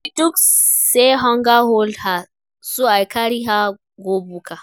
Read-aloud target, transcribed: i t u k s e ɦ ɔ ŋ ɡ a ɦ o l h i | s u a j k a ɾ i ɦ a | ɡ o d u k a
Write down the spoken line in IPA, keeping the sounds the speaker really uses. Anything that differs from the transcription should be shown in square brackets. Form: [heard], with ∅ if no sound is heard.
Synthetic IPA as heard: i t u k s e ɦ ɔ ŋ ɡ a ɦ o l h [a] | s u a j k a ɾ i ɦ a | ɡ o [b] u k a